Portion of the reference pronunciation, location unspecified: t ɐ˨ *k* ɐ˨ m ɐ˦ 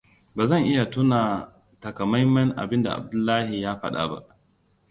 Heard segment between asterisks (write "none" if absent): k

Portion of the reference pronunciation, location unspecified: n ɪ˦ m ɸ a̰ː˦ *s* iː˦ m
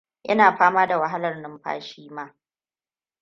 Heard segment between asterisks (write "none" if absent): ʃ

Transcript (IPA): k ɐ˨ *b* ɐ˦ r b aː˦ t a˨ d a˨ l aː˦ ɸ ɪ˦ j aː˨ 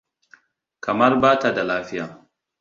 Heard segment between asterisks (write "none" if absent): m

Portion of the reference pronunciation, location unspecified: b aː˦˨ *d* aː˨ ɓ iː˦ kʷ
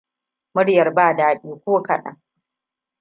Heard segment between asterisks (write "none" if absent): d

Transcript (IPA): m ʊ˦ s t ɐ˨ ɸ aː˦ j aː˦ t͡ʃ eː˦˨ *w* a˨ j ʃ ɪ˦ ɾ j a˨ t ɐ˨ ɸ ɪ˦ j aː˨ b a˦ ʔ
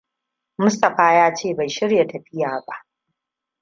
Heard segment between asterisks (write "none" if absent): b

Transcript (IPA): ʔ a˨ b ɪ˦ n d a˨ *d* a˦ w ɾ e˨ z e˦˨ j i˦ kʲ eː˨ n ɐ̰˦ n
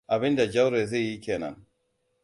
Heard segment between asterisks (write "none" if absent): d͡ʒ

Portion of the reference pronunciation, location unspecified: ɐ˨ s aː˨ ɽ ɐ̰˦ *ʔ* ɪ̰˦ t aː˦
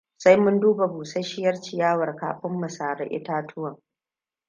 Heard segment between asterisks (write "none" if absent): ʔ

